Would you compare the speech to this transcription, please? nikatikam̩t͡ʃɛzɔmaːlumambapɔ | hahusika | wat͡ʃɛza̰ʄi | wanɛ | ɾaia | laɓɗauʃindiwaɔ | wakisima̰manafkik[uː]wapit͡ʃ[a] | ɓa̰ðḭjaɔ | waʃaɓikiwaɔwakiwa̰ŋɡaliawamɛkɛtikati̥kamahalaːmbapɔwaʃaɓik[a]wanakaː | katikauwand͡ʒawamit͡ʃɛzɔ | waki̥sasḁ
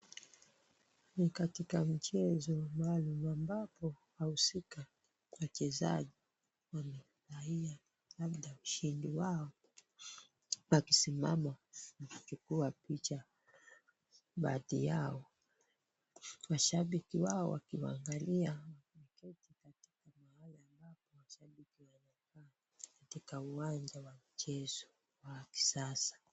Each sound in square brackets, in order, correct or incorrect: incorrect: u, correct, incorrect: i

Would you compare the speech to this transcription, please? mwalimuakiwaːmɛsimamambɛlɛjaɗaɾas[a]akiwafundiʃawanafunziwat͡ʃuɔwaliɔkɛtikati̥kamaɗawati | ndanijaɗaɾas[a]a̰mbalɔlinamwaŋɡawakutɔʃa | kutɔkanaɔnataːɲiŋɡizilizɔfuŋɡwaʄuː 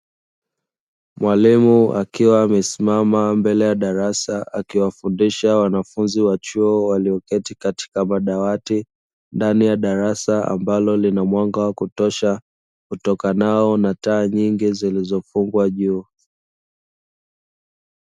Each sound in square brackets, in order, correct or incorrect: correct, correct

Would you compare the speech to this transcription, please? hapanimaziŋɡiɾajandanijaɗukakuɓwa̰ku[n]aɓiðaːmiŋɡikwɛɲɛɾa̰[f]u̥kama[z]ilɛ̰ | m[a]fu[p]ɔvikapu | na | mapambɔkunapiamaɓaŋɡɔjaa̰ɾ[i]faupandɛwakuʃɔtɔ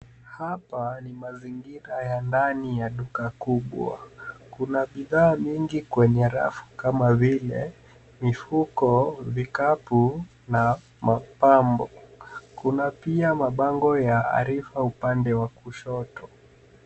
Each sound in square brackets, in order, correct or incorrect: correct, correct, incorrect: v, incorrect: i, incorrect: k, correct

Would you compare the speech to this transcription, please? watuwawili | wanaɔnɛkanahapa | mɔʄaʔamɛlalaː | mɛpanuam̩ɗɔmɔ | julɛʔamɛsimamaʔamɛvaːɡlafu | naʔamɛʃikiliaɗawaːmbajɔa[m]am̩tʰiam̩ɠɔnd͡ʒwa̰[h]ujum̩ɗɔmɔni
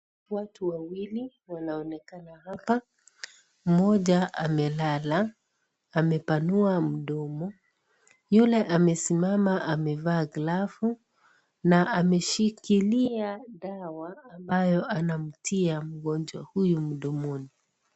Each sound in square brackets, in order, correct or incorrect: incorrect: n, correct

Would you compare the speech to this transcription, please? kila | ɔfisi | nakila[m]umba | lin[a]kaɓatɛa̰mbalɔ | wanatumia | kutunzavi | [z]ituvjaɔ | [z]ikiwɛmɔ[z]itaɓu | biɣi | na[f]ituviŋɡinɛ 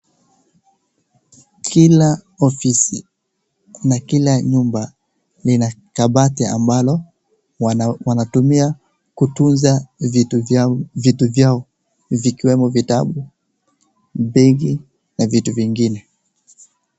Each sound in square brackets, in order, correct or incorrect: incorrect: ɲ, correct, incorrect: v, incorrect: v, incorrect: v, incorrect: v

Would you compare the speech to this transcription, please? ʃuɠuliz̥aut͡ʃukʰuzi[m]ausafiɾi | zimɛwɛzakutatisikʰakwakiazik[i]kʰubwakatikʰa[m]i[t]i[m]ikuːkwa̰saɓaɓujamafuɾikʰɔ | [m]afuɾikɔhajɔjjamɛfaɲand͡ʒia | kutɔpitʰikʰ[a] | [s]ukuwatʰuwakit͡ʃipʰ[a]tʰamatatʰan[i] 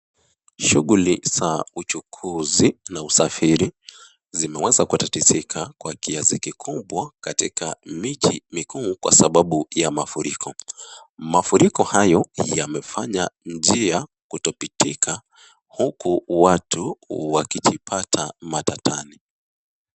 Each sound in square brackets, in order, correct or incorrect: incorrect: n, correct, correct, incorrect: t͡ʃ, correct, correct, correct, incorrect: h, correct, correct

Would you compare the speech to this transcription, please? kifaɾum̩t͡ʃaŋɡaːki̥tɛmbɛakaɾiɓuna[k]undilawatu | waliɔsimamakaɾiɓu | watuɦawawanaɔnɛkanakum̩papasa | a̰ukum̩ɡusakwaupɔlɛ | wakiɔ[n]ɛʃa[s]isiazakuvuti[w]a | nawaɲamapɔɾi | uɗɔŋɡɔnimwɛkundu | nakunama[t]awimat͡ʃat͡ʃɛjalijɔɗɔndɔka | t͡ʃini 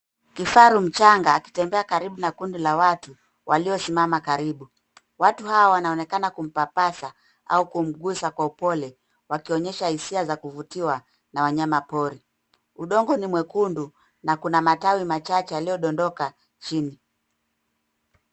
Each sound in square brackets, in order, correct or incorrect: correct, incorrect: ɲ, incorrect: h, correct, correct

